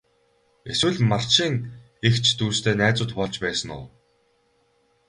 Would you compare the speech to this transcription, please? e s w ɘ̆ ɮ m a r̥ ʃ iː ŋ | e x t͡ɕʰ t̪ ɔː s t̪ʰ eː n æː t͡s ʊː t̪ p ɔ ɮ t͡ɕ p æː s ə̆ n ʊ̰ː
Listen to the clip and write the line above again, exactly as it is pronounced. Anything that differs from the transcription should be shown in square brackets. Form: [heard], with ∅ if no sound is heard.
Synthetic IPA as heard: e s w ɘ̆ ɮ m a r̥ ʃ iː ŋ | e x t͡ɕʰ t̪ [uː] s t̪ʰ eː n æː t͡s ʊː t̪ p ɔ ɮ t͡ɕ p æː s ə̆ n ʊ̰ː